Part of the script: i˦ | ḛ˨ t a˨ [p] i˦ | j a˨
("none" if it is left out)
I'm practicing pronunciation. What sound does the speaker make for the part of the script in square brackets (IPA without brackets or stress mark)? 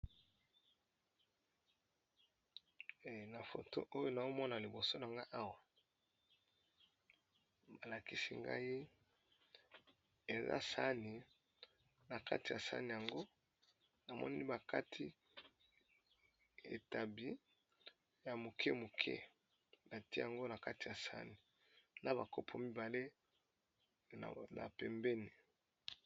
b